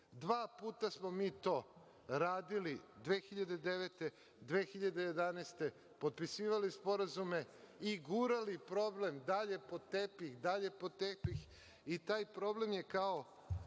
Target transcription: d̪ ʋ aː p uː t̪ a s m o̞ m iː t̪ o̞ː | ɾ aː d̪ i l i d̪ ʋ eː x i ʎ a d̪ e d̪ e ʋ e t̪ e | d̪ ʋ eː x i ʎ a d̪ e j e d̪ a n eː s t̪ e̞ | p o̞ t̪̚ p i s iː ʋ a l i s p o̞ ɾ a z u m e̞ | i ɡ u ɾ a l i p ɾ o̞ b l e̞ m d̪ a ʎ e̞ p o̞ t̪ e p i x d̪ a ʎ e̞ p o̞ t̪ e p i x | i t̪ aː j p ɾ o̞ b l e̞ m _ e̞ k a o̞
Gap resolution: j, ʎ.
j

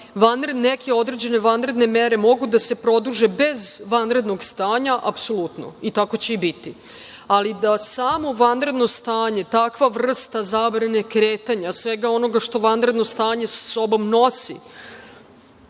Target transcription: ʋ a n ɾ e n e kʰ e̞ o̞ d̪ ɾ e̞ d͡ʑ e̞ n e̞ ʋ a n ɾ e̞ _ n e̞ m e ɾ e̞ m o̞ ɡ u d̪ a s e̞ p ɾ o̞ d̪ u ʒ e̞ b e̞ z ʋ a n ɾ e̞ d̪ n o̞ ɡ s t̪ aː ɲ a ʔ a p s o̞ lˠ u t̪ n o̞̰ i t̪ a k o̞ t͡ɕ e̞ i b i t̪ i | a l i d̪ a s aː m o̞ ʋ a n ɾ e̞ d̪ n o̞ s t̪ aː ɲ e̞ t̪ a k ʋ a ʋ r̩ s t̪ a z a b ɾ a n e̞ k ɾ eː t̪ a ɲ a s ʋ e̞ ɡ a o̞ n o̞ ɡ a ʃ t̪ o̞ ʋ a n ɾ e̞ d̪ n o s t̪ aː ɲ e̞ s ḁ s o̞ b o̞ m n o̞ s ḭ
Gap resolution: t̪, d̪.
d̪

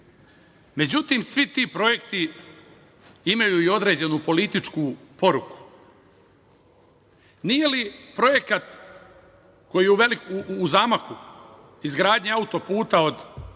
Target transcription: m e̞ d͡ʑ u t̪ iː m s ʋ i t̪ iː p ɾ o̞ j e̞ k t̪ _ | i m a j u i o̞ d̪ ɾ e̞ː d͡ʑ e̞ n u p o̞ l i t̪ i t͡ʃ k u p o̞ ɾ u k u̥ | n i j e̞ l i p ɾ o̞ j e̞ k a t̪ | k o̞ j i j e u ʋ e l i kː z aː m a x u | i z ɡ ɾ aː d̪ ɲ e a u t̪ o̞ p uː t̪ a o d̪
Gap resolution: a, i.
i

